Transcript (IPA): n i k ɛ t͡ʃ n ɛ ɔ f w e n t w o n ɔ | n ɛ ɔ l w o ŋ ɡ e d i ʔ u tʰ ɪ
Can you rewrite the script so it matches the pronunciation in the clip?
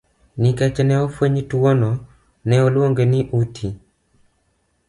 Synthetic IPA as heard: n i k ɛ t͡ʃ n ɛ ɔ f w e ɲ t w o n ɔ | n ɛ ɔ l w o ŋ ɡ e n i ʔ u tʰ i